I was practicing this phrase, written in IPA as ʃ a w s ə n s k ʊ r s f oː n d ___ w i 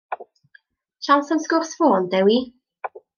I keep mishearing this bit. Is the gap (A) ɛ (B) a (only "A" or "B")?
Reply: A